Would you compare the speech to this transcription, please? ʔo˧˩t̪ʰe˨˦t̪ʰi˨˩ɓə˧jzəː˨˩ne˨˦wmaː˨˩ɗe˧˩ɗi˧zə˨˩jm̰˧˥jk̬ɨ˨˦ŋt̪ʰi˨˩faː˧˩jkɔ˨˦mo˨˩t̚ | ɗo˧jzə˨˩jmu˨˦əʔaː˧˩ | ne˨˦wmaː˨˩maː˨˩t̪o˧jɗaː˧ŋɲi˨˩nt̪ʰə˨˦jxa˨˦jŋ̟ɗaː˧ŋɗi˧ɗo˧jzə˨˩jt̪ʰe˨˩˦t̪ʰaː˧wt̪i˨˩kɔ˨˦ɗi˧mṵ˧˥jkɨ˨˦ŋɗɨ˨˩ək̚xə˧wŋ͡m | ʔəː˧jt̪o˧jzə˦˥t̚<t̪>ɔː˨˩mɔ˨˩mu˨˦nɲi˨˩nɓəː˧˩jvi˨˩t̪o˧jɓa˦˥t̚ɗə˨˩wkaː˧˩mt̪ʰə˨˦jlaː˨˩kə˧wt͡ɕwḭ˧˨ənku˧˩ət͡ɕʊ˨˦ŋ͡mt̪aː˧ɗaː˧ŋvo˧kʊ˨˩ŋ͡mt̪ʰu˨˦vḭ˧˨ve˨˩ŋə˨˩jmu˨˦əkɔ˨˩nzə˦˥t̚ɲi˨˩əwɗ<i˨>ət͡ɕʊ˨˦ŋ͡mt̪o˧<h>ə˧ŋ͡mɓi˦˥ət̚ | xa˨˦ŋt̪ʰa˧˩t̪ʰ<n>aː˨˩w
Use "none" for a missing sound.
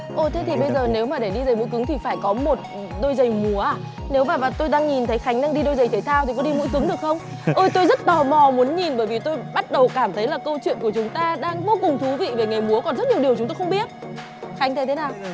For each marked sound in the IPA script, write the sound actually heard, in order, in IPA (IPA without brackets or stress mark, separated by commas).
t̪, i˨, x, n